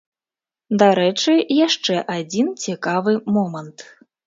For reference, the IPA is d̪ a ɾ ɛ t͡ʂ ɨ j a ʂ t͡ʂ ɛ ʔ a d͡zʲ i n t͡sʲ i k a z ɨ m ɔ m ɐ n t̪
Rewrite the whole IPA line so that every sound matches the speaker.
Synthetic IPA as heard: d̪ a ɾ ɛ t͡ʂ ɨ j a ʂ t͡ʂ ɛ ʔ a d͡zʲ i n t͡sʲ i k a v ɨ m ɔ m ɐ n t̪